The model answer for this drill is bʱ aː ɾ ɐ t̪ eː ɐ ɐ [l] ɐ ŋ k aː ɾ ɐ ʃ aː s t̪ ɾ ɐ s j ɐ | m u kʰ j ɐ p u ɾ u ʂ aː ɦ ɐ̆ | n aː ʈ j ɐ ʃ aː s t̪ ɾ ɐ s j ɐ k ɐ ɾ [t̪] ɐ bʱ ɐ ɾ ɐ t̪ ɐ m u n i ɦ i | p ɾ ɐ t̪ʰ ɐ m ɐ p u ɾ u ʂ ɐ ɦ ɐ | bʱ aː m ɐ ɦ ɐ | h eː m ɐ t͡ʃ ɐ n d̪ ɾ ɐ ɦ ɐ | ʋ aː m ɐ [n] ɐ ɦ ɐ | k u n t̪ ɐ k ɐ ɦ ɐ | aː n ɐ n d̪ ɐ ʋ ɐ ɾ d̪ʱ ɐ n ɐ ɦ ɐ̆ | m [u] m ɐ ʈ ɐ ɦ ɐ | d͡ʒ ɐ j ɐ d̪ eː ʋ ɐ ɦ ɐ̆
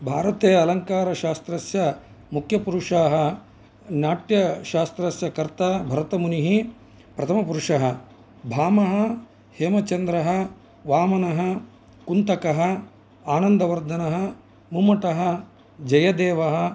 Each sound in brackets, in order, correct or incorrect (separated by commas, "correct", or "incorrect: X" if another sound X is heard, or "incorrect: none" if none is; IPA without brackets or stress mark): correct, correct, correct, correct